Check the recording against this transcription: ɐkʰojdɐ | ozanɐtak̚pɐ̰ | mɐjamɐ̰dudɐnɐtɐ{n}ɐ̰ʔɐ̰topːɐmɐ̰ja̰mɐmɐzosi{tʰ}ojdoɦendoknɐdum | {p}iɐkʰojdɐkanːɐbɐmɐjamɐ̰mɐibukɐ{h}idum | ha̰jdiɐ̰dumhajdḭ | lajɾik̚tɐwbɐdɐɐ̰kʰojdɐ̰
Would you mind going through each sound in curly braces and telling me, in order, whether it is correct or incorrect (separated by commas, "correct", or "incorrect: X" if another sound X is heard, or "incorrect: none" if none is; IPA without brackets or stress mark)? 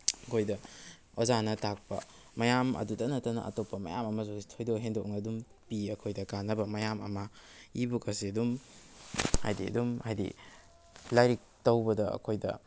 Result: correct, correct, correct, incorrect: s